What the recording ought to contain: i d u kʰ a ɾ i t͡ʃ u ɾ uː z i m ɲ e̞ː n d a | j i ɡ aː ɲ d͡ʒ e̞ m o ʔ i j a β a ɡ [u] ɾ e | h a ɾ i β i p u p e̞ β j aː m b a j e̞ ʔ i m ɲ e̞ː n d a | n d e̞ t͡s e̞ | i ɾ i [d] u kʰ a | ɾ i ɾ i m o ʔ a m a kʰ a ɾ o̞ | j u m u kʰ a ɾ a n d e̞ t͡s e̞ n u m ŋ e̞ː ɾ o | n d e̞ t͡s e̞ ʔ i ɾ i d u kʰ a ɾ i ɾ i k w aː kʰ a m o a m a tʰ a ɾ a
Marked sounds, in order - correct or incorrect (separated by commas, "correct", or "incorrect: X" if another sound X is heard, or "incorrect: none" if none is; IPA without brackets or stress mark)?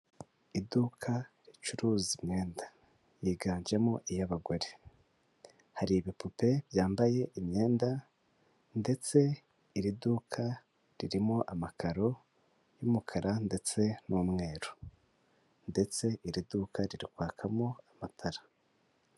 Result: incorrect: o, correct